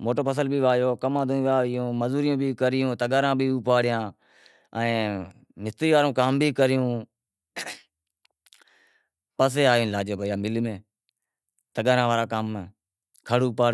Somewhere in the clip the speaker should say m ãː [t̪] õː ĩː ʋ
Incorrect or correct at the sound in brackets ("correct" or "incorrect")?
incorrect